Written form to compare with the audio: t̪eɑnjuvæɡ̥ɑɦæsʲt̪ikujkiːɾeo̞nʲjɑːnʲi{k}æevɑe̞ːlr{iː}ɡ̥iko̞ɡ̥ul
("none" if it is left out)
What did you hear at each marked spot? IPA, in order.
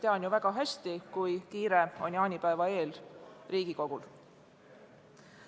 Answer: p, iː

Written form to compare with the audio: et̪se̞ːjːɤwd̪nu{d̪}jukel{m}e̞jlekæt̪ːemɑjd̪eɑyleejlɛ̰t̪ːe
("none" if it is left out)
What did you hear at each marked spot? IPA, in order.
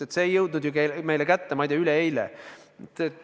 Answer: d̪, m

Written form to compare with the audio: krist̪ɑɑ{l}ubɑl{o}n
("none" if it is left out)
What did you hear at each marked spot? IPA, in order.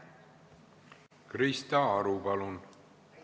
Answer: ɾ, u

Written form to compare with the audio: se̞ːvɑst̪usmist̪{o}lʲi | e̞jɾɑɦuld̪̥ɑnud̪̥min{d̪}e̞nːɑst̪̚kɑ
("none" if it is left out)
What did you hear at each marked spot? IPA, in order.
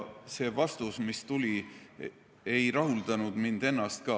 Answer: u, d̪

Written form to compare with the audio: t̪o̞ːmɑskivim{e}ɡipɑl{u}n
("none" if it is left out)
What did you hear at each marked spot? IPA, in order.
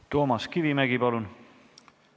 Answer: æ, u

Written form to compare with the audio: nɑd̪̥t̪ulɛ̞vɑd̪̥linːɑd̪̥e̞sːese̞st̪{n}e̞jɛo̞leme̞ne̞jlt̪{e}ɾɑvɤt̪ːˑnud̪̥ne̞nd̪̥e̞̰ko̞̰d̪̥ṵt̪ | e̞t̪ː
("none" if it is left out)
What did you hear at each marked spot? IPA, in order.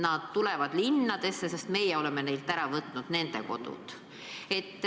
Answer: m, æ

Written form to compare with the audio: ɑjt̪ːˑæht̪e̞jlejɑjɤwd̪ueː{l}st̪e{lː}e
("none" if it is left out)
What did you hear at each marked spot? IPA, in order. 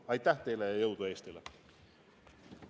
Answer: none, l

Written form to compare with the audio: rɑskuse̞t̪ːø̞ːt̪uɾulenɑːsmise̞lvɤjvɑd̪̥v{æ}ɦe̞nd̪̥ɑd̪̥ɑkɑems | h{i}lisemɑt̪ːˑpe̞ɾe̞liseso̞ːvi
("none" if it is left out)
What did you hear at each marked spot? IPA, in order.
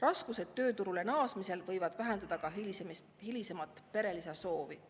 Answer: æ, i

